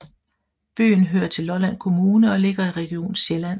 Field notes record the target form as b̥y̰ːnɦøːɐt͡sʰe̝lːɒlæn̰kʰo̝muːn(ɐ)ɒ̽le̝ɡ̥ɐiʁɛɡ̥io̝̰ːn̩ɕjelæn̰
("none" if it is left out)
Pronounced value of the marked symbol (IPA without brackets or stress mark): ə